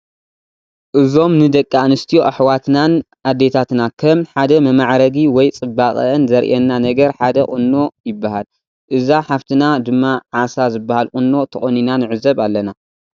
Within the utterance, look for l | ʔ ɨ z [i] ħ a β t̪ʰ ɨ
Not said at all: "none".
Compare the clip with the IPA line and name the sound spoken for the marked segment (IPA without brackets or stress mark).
a